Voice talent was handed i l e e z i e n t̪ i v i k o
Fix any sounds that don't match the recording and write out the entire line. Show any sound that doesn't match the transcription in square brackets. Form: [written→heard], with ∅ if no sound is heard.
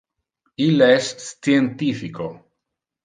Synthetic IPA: i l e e [z→s] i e n t̪ i [v→f] i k o